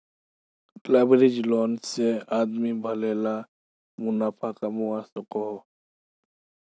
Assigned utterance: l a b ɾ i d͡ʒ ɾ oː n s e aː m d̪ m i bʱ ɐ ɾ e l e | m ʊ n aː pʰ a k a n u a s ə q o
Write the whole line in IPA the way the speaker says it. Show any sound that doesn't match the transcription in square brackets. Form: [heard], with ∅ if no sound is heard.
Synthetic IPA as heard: l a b ɾ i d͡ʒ [l] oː n s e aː [∅] d̪ m i bʱ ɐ [l] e l [a] | m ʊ n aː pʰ a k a [m] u a s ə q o